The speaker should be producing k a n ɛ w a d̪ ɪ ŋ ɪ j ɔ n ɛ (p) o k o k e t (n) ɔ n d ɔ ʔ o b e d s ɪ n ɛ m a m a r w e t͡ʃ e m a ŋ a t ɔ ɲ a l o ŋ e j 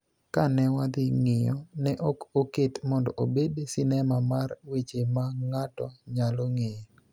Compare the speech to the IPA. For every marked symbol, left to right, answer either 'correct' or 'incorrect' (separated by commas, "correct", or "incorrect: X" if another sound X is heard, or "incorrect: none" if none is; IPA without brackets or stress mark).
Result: incorrect: ʔ, incorrect: m